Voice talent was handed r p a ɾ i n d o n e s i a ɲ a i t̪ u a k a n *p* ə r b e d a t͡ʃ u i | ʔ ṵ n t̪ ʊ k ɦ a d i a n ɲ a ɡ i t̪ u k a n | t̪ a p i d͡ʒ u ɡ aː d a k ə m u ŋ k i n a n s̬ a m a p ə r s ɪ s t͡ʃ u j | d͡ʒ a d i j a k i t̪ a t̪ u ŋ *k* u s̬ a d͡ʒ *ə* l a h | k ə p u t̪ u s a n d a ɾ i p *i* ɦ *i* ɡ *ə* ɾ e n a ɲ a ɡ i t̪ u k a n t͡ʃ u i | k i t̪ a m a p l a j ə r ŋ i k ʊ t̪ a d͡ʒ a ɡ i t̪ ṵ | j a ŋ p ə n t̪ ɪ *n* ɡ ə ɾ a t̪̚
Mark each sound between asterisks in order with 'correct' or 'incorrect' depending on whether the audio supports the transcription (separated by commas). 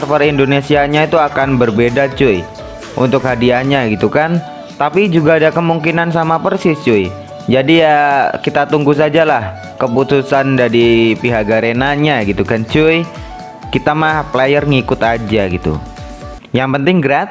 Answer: incorrect, incorrect, incorrect, correct, incorrect, incorrect, incorrect